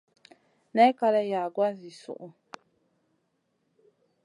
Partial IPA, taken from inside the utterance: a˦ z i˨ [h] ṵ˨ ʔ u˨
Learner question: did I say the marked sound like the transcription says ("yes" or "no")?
no